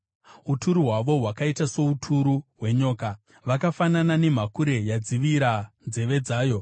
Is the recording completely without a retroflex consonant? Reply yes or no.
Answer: yes